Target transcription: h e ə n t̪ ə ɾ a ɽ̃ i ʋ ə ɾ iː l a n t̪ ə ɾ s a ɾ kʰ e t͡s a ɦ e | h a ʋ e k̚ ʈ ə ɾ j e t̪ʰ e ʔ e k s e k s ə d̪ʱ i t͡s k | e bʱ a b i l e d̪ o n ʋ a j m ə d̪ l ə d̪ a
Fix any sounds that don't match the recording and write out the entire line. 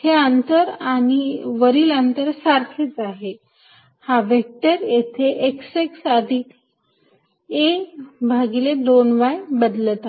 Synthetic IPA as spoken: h e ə n t̪ ə ɾ a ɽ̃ i ʋ ə ɾ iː l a n t̪ ə ɾ s a ɾ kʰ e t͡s a ɦ e | h a ʋ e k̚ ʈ ə ɾ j e t̪ʰ e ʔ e k s e k s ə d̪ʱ i k | e bʱ a ɡ i l e d̪ o n ʋ a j b ə d̪ l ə t̪ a